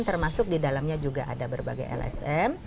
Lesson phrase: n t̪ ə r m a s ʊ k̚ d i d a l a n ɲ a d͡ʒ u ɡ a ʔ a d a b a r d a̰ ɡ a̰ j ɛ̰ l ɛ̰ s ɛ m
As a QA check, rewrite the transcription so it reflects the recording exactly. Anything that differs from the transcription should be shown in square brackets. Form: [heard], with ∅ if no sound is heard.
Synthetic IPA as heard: n t̪ ə r m a s ʊ k̚ d i d a l a [m] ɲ a d͡ʒ u ɡ a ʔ a d a b [ə] r [b] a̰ ɡ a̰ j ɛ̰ l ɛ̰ s ɛ m